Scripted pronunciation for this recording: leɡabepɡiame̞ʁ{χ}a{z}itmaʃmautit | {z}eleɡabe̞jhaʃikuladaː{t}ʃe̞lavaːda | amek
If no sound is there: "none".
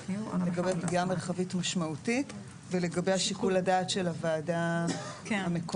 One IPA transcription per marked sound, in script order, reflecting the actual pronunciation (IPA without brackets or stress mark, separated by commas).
χ, v, v, t